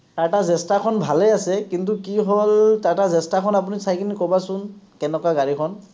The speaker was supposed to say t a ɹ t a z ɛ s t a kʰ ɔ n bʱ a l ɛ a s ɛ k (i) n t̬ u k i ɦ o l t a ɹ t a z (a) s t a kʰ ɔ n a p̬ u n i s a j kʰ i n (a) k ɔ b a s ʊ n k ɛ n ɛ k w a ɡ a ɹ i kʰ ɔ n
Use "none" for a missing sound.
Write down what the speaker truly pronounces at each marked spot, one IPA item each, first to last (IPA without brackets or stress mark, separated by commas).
i, ɛ, i